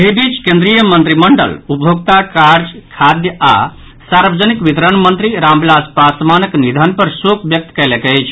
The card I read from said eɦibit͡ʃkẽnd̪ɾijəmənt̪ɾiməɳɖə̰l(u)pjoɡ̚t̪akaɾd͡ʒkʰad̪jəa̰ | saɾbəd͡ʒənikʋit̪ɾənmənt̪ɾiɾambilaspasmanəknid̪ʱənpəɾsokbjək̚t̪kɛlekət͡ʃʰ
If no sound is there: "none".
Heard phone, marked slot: u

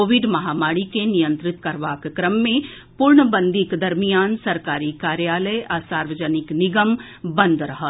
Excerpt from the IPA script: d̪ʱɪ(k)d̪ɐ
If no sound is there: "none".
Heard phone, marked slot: k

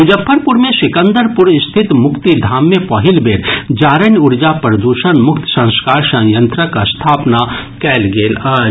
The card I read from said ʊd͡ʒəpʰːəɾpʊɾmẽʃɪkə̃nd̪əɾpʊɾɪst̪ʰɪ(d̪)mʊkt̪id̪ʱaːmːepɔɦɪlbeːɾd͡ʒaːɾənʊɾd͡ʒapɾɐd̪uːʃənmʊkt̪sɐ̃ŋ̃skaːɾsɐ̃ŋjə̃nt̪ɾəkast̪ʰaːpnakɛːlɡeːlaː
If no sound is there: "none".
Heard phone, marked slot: t̪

